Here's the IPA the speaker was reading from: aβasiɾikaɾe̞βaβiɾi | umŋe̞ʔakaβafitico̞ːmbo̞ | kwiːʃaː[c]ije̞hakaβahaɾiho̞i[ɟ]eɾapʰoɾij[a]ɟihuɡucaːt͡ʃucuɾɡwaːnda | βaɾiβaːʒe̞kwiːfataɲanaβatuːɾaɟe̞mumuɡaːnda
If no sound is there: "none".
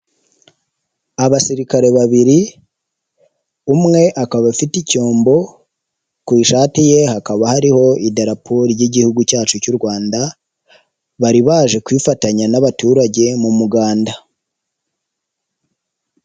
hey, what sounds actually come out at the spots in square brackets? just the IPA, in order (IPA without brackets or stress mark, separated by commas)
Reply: t, d, i